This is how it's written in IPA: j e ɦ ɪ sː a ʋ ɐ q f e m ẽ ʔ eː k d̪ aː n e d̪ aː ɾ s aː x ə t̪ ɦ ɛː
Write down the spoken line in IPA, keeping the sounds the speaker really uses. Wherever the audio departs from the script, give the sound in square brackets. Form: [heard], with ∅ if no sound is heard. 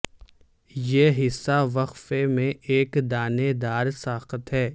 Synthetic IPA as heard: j e ɦ ɪ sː a ʋ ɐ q f e m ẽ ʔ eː k d̪ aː n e d̪ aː ɾ s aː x ə t̪ ɦ ɛː

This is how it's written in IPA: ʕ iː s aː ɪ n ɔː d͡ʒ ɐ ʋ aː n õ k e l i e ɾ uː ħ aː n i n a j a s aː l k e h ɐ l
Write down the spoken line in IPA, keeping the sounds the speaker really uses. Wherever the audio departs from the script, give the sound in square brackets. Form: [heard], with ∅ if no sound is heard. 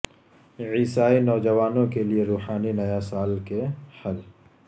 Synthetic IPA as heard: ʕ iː s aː [i] n ɔː d͡ʒ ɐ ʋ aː n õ k e l i e ɾ uː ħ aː n i n [ɐ] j a s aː l k e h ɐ l

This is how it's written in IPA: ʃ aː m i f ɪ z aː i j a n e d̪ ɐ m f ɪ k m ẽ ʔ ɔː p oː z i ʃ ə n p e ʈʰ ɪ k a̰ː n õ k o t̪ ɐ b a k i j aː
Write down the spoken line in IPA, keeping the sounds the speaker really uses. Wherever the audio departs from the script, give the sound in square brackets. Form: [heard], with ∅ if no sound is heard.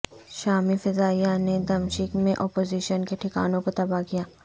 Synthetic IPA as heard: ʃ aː m i f ɪ z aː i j a n e d̪ ɐ m [ʃ] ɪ k m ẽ ʔ ɔː p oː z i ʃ ə n [k] e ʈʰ ɪ k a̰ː n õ k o t̪ ɐ b a k i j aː

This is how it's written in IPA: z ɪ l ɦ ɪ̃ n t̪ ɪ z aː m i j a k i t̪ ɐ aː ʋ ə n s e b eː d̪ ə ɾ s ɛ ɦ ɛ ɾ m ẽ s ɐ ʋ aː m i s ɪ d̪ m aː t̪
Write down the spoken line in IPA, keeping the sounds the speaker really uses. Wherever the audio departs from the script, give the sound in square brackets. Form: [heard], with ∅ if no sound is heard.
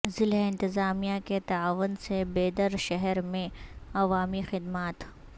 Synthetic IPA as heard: z ɪ l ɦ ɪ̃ n t̪ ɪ z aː m i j a k [e] t̪ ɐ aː ʋ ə n s e b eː d̪ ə ɾ [ʃ] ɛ ɦ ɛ ɾ m ẽ [∅] ɐ ʋ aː m i [x] ɪ d̪ m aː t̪

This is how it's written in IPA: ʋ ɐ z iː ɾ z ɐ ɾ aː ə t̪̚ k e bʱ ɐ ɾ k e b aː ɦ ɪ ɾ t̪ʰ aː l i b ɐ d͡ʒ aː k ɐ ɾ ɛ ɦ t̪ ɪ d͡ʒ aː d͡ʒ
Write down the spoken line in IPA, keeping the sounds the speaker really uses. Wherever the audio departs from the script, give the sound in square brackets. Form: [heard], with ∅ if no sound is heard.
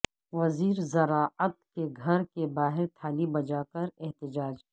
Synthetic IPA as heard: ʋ ɐ z iː ɾ z ɐ ɾ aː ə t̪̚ k e [ɡʱ] ɐ ɾ k e b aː ɦ ɪ ɾ t̪ʰ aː l i b ɐ d͡ʒ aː k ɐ ɾ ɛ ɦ t̪ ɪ d͡ʒ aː d͡ʒ

